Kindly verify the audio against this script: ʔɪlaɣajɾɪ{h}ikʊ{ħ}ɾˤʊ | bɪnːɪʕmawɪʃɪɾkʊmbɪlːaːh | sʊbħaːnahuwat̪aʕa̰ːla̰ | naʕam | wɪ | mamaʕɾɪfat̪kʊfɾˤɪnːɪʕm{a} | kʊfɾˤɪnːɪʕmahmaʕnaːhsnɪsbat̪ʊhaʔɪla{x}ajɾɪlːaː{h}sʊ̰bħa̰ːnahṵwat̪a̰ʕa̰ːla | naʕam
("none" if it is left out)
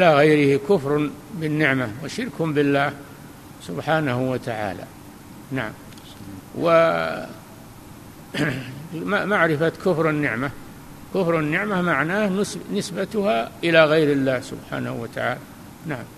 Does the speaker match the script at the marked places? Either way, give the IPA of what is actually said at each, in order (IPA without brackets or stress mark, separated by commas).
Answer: h, f, a, ɣ, h